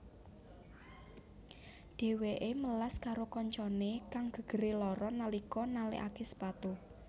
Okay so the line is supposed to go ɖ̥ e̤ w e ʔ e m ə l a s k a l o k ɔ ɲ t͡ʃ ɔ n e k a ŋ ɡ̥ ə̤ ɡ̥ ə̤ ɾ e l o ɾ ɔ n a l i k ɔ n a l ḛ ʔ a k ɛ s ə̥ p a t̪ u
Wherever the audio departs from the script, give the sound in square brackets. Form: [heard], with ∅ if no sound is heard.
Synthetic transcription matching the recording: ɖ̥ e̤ w e ʔ e m ə l a s k a [ɾ] o k ɔ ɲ t͡ʃ ɔ n e k a ŋ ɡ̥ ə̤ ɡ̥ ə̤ ɾ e l [ɔ] ɾ ɔ n a l i k ɔ n a l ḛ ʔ a k [e] s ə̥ p a t̪ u